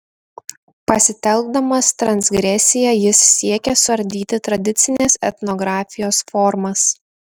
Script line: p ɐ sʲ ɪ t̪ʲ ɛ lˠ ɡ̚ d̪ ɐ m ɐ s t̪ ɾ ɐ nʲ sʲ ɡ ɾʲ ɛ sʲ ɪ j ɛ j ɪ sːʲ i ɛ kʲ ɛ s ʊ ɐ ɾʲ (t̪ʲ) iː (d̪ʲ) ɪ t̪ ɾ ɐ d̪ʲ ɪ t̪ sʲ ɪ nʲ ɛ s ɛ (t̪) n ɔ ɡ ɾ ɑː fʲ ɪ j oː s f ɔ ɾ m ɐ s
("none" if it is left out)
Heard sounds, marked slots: d̪ʲ, t̪ʲ, t̪

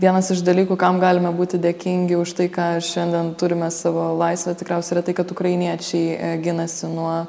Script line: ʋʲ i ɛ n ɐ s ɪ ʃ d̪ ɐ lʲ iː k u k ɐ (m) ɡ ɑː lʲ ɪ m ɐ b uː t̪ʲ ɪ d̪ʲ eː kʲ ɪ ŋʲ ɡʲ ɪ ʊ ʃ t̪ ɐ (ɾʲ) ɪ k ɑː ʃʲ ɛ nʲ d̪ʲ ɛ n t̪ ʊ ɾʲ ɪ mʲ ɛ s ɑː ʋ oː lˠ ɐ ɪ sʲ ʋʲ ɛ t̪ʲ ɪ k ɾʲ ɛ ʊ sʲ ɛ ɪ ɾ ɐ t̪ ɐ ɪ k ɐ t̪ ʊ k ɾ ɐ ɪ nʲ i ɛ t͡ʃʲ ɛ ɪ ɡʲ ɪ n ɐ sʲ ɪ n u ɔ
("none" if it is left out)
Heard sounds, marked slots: m, none

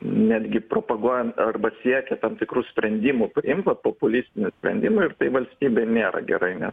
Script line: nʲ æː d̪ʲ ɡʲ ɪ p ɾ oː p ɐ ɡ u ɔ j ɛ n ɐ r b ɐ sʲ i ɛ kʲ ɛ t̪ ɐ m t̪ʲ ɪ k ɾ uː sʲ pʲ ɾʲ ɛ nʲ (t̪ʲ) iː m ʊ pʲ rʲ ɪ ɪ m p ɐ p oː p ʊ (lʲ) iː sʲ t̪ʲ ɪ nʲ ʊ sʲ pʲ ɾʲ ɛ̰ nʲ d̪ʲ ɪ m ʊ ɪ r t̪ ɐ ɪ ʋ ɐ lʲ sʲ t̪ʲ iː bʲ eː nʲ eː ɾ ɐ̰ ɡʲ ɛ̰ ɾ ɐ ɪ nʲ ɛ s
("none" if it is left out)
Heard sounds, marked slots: d̪ʲ, lʲ

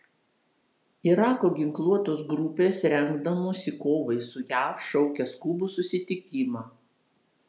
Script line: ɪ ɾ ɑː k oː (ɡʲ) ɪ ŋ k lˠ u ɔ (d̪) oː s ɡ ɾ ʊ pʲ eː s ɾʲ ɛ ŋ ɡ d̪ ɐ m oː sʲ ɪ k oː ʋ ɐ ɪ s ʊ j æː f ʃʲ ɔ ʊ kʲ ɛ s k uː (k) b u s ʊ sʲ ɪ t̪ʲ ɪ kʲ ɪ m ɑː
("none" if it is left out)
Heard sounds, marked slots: ɡʲ, t̪, none

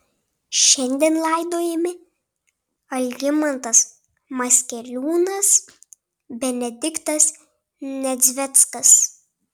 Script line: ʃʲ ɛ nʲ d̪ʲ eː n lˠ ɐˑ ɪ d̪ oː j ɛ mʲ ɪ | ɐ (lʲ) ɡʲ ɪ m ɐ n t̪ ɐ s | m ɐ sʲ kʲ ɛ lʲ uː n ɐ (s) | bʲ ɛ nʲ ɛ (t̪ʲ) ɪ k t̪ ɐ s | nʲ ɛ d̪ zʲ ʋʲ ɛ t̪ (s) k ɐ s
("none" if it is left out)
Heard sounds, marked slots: lʲ, s, d̪ʲ, s

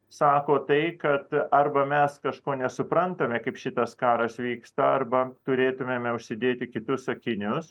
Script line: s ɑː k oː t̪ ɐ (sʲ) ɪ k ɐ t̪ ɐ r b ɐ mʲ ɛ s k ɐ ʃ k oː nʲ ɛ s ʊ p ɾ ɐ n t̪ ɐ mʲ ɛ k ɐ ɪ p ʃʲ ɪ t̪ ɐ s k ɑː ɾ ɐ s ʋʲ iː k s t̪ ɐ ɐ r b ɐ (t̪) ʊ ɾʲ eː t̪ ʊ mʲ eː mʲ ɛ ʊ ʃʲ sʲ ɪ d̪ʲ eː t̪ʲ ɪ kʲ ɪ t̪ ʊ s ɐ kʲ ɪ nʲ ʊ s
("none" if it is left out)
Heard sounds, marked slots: none, t̪

